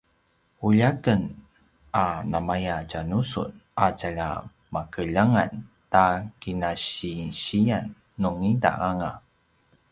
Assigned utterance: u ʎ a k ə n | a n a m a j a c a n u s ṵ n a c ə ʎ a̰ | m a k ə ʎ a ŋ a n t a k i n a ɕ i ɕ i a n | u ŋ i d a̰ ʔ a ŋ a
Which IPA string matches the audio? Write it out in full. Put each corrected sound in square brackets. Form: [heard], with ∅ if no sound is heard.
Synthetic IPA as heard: u ʎ a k ə n | a n a m a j a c a n u s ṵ n a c [a] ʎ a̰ | m a k ə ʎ a ŋ a n t a k i n a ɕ i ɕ i a [nː] | u ŋ i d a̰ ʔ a ŋ a